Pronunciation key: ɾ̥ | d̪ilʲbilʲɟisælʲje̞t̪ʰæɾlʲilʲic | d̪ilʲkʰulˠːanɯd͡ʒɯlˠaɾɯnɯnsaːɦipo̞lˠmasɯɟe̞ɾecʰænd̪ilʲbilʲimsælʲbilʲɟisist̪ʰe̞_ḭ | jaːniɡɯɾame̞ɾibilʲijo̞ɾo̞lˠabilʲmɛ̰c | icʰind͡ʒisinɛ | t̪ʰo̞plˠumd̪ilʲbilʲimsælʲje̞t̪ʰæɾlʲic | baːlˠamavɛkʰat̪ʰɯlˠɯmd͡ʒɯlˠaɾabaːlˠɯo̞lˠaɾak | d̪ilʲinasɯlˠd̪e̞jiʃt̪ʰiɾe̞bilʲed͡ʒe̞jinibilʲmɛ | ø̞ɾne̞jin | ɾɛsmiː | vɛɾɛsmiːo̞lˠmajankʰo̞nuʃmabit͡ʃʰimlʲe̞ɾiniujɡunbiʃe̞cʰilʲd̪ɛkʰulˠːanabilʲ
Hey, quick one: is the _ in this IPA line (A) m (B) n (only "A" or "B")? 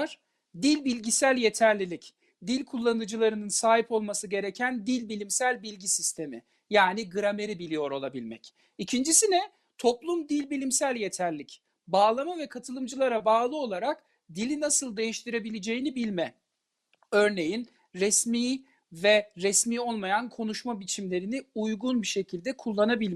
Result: A